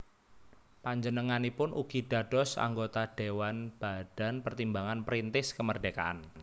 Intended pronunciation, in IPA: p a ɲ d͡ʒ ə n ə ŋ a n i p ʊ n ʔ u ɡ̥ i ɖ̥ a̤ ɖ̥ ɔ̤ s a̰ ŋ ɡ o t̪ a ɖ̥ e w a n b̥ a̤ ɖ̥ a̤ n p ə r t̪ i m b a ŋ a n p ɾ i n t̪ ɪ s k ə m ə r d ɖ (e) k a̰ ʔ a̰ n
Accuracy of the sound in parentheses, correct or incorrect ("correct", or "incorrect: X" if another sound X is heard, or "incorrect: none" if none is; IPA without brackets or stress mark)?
correct